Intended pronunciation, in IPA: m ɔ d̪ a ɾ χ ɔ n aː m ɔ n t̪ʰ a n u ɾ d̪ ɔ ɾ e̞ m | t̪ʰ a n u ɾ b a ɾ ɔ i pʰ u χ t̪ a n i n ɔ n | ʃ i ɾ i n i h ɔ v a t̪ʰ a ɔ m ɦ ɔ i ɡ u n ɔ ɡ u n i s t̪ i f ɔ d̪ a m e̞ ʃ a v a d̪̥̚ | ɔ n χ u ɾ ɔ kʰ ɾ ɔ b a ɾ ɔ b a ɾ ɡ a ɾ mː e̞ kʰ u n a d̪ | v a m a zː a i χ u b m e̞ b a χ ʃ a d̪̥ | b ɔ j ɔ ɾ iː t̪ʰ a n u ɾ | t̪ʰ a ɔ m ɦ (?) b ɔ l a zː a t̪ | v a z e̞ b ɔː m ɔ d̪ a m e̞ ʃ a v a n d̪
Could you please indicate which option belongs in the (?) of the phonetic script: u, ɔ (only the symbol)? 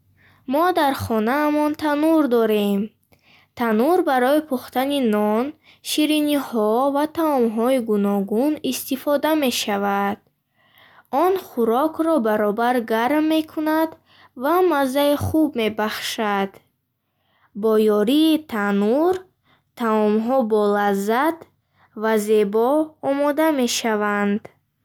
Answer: ɔ